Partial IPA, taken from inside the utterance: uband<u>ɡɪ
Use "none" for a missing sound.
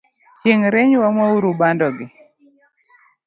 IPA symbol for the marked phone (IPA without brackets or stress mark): ɔ